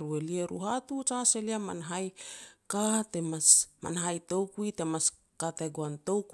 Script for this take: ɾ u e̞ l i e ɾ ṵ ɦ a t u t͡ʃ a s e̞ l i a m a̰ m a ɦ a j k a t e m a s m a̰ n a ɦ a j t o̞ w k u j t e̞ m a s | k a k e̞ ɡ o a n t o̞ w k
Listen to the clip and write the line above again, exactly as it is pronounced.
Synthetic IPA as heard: ɾ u e̞ l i e ɾ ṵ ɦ a t u t͡ʃ a s e̞ l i a m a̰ n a ɦ a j k a t e m a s m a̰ n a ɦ a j t o̞ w k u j t e̞ m a s | k a t e̞ ɡ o a n t o̞ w k